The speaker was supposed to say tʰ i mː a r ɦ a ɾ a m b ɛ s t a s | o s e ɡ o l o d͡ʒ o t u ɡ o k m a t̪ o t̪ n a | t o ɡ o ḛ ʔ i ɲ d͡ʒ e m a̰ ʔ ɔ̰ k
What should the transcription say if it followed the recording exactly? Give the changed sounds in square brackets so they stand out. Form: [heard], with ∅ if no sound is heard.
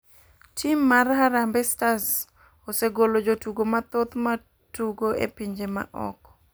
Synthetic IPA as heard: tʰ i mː a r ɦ a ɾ a m b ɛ s t a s | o s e ɡ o l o d͡ʒ o t u ɡ o [∅] m a t̪ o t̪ [m] a | t [u] ɡ o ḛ [p] i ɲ d͡ʒ e m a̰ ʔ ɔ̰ k